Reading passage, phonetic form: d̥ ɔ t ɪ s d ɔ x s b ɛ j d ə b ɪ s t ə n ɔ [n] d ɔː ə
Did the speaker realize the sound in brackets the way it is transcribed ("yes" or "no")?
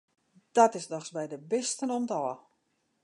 no